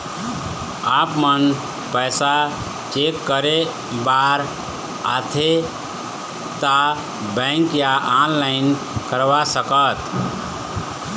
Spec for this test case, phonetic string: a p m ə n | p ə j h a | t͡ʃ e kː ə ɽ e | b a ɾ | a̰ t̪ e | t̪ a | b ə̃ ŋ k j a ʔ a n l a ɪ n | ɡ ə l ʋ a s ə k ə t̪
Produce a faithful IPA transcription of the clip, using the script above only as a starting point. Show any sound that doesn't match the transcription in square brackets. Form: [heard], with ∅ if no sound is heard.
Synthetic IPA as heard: a p m ə n | p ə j [s] a | t͡ʃ e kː ə [ɾ] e | b a ɾ | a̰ [t̪ʰ] e | t̪ a | b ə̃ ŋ k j a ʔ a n l a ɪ n | [k] ə [ɾ] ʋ a s ə k ə t̪